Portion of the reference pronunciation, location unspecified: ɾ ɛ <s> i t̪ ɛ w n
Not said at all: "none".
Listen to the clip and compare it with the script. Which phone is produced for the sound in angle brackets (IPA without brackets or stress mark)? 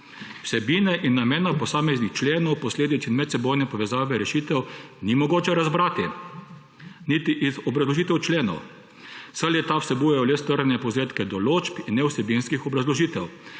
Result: ʃ